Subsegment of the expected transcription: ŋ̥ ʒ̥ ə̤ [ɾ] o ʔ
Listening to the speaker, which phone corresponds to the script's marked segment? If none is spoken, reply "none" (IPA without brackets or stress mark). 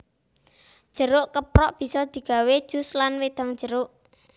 ɾ